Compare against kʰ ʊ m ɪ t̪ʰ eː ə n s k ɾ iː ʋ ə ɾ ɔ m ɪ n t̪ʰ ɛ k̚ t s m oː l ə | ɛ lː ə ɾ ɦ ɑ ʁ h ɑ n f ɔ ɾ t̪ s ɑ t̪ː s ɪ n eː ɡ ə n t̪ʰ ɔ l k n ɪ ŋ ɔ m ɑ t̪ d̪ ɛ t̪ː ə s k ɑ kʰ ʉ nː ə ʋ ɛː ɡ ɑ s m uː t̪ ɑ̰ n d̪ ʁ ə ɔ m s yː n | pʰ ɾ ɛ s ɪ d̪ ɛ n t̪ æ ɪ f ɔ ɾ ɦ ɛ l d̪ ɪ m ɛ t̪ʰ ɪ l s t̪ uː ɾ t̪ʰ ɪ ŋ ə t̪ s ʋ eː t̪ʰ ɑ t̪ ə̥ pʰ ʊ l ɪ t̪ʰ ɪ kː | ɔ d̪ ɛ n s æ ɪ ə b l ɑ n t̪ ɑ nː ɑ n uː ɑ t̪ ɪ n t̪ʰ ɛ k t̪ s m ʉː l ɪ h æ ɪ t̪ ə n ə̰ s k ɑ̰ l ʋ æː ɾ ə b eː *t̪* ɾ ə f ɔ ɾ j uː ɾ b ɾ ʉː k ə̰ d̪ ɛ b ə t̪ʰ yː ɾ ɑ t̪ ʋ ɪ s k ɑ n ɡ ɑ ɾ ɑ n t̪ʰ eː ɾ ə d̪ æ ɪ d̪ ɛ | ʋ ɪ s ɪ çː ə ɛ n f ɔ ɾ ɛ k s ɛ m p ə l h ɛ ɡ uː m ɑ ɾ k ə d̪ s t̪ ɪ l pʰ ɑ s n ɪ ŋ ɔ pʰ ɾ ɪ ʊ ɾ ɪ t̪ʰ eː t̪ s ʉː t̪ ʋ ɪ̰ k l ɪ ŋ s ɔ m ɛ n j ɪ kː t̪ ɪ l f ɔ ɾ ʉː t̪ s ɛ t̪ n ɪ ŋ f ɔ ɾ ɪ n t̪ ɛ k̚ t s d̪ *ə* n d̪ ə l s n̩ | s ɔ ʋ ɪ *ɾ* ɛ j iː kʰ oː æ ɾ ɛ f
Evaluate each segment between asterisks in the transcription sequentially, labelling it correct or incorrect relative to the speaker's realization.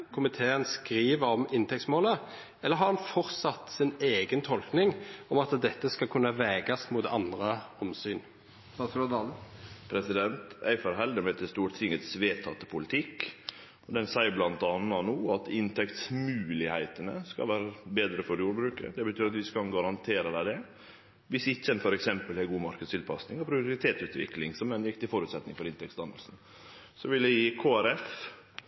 incorrect: d̪, incorrect: ɑ, incorrect: l

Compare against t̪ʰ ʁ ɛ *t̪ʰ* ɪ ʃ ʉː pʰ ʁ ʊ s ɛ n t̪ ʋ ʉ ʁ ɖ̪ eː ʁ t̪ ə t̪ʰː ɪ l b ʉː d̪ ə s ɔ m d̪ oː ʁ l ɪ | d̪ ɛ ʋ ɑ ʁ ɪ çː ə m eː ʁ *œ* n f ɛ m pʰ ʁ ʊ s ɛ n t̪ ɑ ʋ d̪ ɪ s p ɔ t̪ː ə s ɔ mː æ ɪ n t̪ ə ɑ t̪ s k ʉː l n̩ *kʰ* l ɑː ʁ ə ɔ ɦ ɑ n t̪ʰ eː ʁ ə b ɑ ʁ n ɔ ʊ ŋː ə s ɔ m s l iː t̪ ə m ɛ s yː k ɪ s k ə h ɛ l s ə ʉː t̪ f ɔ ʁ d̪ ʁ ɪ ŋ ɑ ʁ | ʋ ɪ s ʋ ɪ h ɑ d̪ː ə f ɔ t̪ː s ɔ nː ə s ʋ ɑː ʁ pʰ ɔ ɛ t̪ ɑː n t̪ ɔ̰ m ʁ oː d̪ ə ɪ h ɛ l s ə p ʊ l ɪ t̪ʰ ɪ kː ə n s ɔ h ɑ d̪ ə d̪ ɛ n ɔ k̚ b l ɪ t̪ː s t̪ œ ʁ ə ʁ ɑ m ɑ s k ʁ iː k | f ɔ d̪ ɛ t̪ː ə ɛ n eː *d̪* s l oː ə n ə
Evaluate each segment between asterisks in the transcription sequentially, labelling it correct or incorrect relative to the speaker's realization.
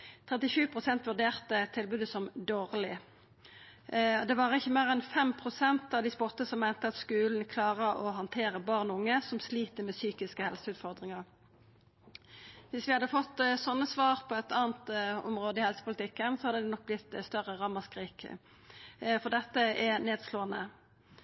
incorrect: t̪, incorrect: ɛ, correct, correct

